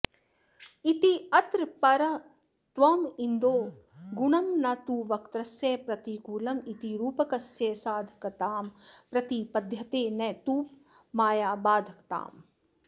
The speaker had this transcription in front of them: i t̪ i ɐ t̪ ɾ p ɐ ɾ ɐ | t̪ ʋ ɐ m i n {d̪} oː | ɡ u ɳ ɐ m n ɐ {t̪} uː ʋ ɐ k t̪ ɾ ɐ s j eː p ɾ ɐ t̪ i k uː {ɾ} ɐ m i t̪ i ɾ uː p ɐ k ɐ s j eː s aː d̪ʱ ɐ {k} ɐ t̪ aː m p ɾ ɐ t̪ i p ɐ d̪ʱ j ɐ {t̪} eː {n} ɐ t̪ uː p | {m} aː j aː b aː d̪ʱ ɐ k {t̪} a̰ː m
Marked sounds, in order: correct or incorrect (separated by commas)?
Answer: correct, correct, incorrect, correct, correct, correct, correct, correct